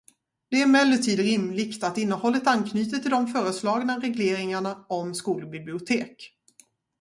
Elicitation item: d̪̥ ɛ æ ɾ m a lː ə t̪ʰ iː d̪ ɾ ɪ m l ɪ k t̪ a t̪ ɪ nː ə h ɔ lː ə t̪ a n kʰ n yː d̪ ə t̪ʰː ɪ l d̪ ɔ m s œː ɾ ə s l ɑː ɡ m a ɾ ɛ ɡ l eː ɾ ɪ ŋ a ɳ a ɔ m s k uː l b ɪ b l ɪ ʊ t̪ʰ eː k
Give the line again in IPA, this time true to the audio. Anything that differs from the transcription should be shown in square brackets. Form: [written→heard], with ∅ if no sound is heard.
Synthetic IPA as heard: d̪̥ ɛ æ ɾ m [a→ɛ] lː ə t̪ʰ iː d̪ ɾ ɪ m l ɪ k t̪ a t̪ ɪ nː ə h ɔ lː ə t̪ a n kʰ n yː [d̪→t̪] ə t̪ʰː ɪ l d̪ ɔ m [s→f] œː ɾ ə s l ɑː ɡ [m→n] a ɾ ɛ ɡ l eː ɾ ɪ ŋ a ɳ a ɔ m s k uː l b ɪ b l ɪ ʊ t̪ʰ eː k

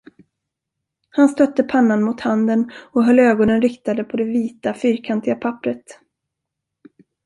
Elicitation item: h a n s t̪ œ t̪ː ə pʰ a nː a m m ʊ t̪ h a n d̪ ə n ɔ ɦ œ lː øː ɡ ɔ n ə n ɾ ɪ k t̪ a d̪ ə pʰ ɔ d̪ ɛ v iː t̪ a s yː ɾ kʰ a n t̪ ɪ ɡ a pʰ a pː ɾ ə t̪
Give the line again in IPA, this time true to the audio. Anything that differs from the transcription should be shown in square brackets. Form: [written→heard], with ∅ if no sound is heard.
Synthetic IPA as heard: h a n s t̪ œ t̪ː ə pʰ a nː a [m→n] m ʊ t̪ h a n d̪ ə n ɔ ɦ œ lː øː ɡ ɔ n ə n ɾ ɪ k t̪ a d̪ ə pʰ ɔ d̪ ɛ v iː t̪ a [s→f] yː ɾ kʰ a n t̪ ɪ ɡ a pʰ a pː ɾ ə t̪

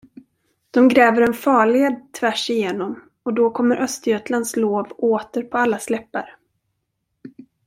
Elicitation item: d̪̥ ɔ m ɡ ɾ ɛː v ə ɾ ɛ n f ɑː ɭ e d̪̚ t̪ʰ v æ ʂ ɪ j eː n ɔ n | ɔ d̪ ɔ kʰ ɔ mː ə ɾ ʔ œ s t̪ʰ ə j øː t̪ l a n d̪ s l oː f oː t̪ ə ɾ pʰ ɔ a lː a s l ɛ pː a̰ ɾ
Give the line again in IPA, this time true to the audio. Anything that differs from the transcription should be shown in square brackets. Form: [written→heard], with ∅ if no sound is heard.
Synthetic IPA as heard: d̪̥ ɔ m ɡ ɾ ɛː v ə ɾ ɛ n f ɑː ɭ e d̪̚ t̪ʰ v æ ʂ ɪ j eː n ɔ [n→m] | ɔ d̪ ɔ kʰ ɔ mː ə ɾ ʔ œ s [t̪ʰ→t̪] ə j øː t̪ l a n d̪ s l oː [f→v] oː t̪ ə ɾ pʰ ɔ a lː a s l ɛ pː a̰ ɾ

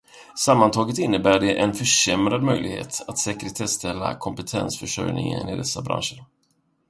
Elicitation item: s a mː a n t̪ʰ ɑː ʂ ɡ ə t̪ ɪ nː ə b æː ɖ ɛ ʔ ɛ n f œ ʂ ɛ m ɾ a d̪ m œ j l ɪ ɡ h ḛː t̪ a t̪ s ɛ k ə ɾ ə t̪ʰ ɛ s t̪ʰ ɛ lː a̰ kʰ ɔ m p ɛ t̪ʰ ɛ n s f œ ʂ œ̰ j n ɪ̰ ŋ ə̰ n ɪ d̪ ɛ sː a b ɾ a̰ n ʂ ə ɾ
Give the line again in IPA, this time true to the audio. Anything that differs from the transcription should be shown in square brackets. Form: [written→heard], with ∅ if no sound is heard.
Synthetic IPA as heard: s a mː a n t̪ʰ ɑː [ʂ→∅] ɡ ə t̪ ɪ nː ə b æː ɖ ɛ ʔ ɛ n f œ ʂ ɛ m ɾ a d̪ m œ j l ɪ ɡ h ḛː t̪ a t̪ s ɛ k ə ɾ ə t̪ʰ ɛ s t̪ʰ ɛ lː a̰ kʰ ɔ m p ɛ t̪ʰ ɛ n s f œ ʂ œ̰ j n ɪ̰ ŋ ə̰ n ɪ d̪ ɛ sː a b ɾ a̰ n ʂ ə ɾ

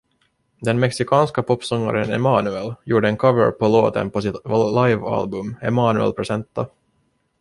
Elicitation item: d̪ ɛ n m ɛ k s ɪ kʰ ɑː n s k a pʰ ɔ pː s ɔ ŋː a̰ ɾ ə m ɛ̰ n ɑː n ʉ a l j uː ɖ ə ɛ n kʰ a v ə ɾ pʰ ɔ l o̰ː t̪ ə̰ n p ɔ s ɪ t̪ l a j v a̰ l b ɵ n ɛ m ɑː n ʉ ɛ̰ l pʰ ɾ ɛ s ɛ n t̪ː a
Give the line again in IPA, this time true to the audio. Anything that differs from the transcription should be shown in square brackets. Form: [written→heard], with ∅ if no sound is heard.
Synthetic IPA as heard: d̪ ɛ n m ɛ k s ɪ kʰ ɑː n s k a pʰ ɔ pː s ɔ ŋː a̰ ɾ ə [m→n] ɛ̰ [n→m] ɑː n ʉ [a→ɛ] l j uː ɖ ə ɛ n kʰ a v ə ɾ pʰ ɔ l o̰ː t̪ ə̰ n p ɔ s ɪ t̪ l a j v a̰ l b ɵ [n→m] ɛ m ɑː n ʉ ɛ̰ l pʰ ɾ ɛ s ɛ n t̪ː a

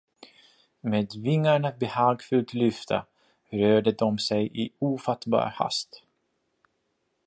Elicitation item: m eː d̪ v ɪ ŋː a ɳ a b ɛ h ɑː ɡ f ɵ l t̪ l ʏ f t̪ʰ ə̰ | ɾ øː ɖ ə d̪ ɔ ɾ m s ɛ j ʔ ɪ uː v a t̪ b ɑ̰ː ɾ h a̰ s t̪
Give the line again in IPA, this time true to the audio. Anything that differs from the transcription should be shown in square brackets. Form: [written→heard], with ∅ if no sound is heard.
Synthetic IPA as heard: m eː d̪ v ɪ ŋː a ɳ a b ɛ h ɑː ɡ f ɵ l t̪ l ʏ f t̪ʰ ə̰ | ɾ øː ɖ ə d̪ ɔ [ɾ→∅] m s ɛ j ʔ ɪ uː [v→f] a t̪ b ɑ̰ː ɾ h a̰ s t̪

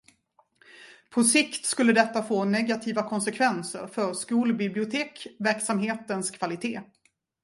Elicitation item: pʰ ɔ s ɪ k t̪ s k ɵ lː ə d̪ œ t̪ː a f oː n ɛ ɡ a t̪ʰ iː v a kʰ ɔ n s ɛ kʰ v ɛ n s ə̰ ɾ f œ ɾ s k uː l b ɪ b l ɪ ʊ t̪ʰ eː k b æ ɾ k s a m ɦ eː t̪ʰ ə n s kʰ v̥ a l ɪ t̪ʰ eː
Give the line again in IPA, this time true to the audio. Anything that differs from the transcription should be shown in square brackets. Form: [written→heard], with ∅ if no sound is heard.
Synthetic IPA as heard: pʰ ɔ s ɪ k t̪ s k ɵ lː ə d̪ [œ→ɛ] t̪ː a f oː n ɛ ɡ a t̪ʰ iː v a kʰ ɔ n s ɛ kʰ v ɛ n s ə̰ ɾ f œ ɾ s k uː l b ɪ b l ɪ ʊ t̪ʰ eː k [b→v] æ ɾ k s a m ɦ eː [t̪ʰ→t̪] ə n s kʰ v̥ a l ɪ t̪ʰ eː

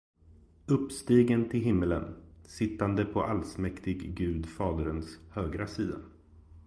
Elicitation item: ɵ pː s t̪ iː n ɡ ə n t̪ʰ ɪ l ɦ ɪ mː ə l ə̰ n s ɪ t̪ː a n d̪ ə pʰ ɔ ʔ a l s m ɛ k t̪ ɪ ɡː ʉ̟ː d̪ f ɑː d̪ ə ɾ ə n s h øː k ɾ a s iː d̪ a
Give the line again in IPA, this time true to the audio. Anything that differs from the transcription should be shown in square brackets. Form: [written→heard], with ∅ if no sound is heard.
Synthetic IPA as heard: ɵ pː s t̪ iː [n→∅] ɡ ə n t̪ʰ ɪ l ɦ ɪ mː ə l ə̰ n s ɪ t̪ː a n d̪ ə pʰ ɔ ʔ a l s m ɛ k t̪ ɪ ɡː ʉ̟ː d̪ f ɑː d̪ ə ɾ ə n s h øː [k→ɡ] ɾ a s iː d̪ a

